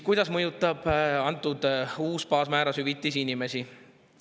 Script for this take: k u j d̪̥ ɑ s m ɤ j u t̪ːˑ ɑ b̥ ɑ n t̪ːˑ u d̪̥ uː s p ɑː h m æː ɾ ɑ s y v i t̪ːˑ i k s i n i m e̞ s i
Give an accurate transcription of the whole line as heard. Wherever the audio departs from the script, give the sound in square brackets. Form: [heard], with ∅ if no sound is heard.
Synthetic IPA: k u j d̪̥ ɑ s m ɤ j u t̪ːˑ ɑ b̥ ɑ n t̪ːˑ u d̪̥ uː s p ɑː [s] m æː ɾ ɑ s y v i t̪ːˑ i [∅] s i n i m e̞ s i